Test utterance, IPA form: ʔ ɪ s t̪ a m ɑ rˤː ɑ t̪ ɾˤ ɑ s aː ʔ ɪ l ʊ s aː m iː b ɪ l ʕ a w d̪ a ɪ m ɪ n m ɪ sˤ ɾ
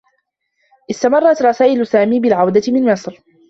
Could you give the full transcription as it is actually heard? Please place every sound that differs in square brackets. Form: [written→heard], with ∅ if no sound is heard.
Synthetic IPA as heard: ʔ ɪ s t̪ a m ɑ rˤː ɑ t̪ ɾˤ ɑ s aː ʔ ɪ l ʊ s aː m iː b ɪ l ʕ a w d̪ a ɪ m ɪ n m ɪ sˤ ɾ